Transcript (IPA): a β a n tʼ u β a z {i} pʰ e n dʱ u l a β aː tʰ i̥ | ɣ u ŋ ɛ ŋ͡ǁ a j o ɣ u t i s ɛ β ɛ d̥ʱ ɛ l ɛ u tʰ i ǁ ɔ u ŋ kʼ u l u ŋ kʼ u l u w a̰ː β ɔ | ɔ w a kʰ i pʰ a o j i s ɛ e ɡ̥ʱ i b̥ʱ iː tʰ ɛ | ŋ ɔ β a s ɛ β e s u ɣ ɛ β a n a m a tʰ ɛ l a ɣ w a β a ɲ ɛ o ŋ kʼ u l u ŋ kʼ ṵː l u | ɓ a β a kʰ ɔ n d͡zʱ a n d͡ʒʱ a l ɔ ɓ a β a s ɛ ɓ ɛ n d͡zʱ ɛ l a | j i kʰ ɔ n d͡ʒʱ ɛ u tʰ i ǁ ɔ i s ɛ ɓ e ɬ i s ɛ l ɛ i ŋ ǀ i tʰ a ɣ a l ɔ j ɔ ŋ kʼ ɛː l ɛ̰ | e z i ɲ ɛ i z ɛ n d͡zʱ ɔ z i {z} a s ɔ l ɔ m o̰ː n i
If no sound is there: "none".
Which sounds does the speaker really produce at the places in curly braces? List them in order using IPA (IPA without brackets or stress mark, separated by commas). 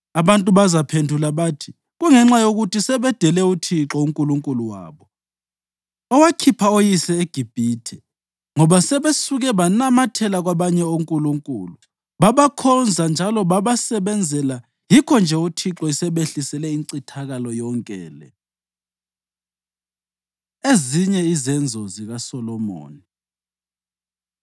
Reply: a, ɣ